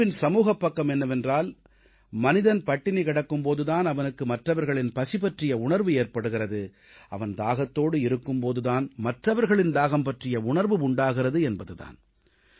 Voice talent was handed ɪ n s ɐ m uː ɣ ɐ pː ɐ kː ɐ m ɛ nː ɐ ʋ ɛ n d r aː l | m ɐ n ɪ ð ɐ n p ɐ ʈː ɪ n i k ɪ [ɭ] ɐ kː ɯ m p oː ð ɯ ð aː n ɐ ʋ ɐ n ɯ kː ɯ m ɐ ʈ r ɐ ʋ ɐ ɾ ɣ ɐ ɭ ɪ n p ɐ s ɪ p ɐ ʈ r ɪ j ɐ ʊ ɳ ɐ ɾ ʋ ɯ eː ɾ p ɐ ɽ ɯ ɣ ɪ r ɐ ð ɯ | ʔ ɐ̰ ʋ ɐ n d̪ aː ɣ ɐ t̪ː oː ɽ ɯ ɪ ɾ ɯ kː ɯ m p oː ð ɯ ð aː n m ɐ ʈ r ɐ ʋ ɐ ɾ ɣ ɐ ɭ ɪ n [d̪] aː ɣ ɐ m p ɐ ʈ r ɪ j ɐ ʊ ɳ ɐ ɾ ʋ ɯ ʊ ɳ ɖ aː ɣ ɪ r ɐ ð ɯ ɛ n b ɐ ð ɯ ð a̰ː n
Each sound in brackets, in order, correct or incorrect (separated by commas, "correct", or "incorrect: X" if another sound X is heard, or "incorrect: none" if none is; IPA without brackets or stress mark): incorrect: ɽ, correct